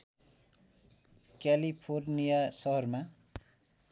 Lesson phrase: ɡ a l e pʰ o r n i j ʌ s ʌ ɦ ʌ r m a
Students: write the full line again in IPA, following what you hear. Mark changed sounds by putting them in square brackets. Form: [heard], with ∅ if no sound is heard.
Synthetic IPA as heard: [k] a l [i] pʰ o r n i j [a] s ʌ ɦ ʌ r m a